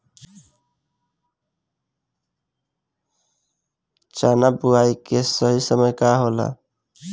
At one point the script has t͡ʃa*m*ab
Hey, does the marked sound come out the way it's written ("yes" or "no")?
no